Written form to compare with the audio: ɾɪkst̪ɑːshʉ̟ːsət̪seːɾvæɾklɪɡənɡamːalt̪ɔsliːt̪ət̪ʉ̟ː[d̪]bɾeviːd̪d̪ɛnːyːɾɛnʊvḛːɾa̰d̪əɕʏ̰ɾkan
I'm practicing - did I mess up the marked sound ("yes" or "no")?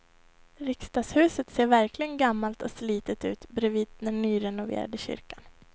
yes